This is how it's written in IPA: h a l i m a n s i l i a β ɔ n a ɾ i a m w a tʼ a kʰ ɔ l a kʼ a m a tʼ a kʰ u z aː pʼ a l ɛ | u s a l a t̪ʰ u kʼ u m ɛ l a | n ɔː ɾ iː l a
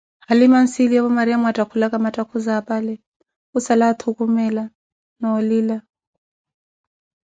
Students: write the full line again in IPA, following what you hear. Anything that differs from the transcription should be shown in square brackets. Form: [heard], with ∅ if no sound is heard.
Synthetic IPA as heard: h a l i m a n s i l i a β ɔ [m] a ɾ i a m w a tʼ a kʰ [u] l a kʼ a m a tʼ a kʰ u z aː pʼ a l ɛ | u s a l a t̪ʰ u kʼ u m ɛ l a | n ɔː [l] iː l a